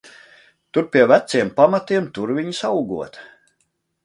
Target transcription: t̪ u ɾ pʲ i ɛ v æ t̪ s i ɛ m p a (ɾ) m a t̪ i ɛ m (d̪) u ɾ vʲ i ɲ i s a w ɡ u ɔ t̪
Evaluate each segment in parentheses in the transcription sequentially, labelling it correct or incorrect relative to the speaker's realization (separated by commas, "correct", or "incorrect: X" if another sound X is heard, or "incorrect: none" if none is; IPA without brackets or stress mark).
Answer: incorrect: none, incorrect: t̪